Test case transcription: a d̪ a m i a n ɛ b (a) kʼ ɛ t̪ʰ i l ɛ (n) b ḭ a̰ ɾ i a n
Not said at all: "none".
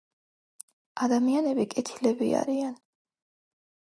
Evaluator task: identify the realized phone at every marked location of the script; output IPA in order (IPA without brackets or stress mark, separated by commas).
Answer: i, none